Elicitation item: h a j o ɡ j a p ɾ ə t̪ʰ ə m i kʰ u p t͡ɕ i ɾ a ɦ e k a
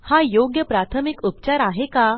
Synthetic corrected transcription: h a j o ɡ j ə p ɾ a t̪ʰ ə m i k u p t͡ɕ a ɾ a ɦ e k a